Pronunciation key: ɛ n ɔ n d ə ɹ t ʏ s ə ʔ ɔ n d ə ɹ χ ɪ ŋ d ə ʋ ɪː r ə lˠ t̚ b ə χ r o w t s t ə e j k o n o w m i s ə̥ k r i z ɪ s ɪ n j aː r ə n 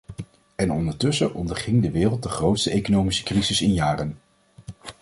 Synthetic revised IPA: ɛ n ɔ n d ə ɹ t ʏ s ə ʔ ɔ n d ə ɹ χ ɪ ŋ d ə ʋ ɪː r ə lˠ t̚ d ə χ r o w t s t ə e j k o n o w m i s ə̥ k r i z ɪ s ɪ n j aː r ə n